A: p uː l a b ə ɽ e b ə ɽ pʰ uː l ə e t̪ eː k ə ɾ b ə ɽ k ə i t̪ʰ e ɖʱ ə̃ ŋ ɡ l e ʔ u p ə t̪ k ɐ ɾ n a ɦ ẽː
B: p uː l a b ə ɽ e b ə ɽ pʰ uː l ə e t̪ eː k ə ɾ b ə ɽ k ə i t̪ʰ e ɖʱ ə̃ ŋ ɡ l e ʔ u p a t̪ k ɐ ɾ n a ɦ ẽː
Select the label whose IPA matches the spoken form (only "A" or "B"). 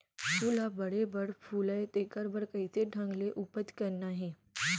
A